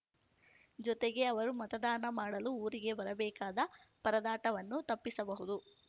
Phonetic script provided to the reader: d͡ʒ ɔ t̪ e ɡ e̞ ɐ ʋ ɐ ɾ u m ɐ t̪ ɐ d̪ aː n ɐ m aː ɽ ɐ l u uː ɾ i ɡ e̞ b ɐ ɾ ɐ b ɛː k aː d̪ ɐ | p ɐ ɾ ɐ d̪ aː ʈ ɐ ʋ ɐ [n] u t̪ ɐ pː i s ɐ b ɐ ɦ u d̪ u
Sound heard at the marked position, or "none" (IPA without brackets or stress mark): nː